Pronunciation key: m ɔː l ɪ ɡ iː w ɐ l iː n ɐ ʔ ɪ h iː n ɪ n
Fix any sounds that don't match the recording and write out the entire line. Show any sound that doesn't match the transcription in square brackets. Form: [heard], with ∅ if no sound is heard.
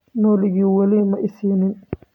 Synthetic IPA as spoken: [n] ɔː l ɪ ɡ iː w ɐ l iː [m] ɐ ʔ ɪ [s] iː n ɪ n